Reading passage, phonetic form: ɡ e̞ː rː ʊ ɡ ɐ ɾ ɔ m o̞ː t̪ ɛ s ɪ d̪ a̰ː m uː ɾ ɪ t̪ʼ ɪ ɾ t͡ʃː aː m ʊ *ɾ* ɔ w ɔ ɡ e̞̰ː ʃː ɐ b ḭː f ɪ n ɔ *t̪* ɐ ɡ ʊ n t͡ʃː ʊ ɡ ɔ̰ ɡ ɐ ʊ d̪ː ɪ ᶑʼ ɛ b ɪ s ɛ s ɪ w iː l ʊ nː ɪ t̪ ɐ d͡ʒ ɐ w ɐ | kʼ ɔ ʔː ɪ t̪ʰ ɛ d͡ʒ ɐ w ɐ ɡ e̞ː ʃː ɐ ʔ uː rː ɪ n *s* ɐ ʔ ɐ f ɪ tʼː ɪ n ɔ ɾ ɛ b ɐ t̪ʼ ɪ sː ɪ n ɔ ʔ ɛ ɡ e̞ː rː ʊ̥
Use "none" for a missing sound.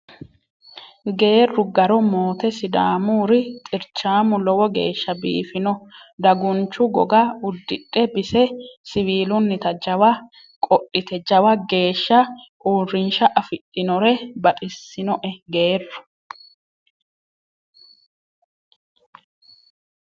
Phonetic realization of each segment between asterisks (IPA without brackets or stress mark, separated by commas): l, d̪, ʃ